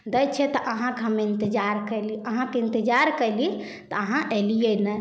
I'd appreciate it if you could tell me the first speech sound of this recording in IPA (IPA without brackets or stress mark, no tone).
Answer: d̪